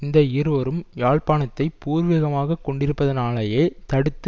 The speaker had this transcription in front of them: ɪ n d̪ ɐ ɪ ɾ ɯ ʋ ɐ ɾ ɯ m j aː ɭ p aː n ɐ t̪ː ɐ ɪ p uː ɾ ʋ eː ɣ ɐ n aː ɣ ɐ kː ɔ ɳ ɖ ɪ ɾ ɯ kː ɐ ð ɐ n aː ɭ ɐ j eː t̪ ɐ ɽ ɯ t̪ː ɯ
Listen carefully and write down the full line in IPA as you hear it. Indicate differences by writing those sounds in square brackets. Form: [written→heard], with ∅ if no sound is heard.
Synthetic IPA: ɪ n d̪ ɐ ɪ ɾ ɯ ʋ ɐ ɾ ɯ m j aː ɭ p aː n ɐ t̪ː ɐ ɪ p uː ɾ ʋ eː ɣ ɐ [n→m] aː ɣ ɐ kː ɔ ɳ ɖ ɪ ɾ ɯ [kː→pː] ɐ ð ɐ n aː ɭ ɐ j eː t̪ ɐ ɽ ɯ t̪ː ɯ